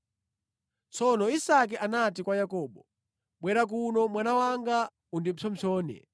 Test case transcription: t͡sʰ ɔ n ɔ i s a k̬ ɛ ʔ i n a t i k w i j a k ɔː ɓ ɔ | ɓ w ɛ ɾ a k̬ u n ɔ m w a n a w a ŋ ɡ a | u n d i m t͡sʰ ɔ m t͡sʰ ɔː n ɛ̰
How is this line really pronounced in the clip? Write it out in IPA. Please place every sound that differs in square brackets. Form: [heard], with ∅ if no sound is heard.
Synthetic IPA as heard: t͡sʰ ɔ n ɔ i s a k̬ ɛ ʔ [a] n a t i k w [a] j a k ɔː ɓ ɔ | ɓ w ɛ ɾ a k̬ u n ɔ m w a n a w a ŋ ɡ a | u n d i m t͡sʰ ɔ m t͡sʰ ɔː n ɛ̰